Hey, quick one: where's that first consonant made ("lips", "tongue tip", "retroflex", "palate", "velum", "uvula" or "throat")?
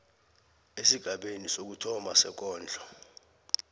tongue tip